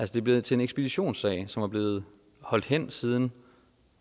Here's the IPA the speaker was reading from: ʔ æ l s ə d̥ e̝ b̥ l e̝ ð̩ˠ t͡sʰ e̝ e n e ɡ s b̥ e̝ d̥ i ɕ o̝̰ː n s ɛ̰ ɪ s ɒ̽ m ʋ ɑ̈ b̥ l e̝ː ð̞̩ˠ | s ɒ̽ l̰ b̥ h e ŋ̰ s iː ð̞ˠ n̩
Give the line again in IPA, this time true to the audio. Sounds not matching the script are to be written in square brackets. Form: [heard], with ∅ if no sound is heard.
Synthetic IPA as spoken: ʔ æ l s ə d̥ e̝ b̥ l e̝ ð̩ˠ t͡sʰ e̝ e n e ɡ s b̥ e̝ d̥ i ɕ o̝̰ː n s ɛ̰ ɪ s ɒ̽ m ʋ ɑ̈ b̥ l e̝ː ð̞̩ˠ | [h] ɒ̽ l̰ [d̥] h e [n̰] s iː ð̞ˠ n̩